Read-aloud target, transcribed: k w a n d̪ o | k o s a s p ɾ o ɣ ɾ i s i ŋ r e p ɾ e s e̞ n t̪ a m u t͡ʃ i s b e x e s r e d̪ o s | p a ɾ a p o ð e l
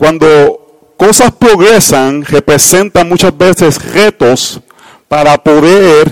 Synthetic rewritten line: k w a n d̪ o | k o s a s p ɾ o ɣ ɾ e s a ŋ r e p ɾ e s e̞ n t̪ a m u t͡ʃ a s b e s e s r e t̪ o s | p a ɾ a p o ð e ɾ